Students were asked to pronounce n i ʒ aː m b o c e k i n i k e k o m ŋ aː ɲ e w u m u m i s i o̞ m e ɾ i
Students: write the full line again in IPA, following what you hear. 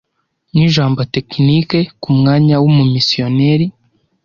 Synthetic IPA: n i ʒ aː m b o t e k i n i k e k u m ŋ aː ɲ a w u m u m i s i o̞ n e ɾ i